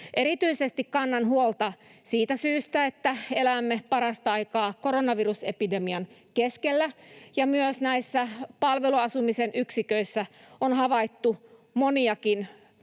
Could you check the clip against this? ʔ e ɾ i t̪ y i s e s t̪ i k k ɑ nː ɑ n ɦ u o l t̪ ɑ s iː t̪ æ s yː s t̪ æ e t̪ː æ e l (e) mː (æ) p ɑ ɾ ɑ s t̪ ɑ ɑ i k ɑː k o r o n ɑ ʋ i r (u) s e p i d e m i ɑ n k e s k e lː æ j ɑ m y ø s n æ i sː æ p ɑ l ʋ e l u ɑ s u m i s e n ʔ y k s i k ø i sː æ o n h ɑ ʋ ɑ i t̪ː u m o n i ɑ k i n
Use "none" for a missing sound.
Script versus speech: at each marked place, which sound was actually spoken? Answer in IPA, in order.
æ, e, u

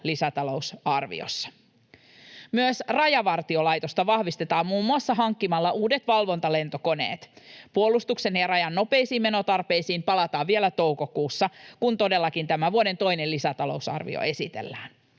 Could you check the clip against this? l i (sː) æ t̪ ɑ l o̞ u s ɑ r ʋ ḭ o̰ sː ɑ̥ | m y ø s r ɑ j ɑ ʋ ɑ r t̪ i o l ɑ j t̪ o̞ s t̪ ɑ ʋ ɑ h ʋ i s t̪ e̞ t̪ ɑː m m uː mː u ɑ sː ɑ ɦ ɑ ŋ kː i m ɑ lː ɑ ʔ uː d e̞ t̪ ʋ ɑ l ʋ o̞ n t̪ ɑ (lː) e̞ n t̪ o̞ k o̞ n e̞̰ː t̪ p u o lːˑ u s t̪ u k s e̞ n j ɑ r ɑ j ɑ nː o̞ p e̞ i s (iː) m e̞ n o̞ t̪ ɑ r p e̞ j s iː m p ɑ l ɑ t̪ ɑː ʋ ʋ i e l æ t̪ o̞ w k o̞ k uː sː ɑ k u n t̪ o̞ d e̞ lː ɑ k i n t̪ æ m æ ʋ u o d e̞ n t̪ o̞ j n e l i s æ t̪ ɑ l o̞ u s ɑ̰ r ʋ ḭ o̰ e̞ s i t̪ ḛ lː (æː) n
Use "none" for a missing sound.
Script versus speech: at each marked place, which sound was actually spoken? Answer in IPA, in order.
s, l, iː, æː

